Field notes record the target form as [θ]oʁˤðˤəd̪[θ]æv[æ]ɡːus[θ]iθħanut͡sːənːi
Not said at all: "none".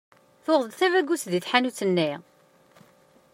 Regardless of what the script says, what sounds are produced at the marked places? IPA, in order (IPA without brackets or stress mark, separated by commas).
θ, θ, æ, ð